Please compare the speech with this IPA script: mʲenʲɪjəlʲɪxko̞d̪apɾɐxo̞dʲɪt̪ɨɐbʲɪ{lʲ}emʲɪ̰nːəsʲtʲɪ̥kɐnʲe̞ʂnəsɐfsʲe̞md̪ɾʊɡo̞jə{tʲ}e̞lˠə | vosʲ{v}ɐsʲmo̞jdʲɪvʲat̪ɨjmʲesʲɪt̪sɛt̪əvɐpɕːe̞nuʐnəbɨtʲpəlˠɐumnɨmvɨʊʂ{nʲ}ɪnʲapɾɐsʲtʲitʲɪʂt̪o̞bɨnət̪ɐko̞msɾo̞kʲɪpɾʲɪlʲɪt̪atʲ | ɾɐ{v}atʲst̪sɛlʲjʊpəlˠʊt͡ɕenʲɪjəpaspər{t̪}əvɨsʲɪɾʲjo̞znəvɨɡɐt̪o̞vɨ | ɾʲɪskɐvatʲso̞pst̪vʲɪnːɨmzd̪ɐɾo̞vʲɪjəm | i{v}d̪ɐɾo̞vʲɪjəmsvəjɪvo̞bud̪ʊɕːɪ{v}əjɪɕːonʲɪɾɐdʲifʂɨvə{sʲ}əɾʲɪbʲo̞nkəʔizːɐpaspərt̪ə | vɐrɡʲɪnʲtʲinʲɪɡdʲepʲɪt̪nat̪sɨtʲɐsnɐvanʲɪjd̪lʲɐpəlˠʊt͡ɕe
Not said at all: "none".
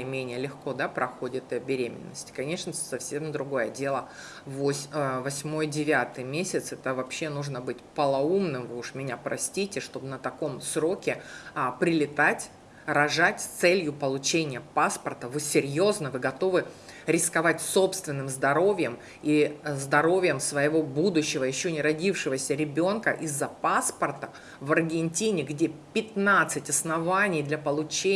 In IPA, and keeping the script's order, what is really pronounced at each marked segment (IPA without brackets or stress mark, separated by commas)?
ɾʲ, dʲ, v, mʲ, ʐ, t̪, z, v, sʲ